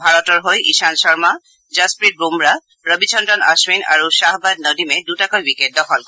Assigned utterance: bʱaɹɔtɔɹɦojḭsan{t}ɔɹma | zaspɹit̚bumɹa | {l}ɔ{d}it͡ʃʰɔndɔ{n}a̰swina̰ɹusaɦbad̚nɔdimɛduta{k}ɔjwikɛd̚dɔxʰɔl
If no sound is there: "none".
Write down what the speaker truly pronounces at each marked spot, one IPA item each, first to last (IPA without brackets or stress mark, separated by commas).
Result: s, ɹ, b, n, k